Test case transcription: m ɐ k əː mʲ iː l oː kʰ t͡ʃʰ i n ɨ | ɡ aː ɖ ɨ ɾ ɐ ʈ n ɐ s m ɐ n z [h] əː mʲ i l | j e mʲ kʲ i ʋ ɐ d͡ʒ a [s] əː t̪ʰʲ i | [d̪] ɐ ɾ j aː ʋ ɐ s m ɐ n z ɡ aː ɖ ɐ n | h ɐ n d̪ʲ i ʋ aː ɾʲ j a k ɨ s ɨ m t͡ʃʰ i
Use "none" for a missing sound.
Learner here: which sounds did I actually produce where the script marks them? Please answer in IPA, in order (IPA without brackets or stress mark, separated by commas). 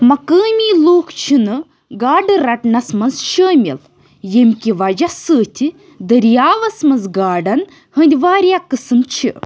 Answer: ʃ, s, d̪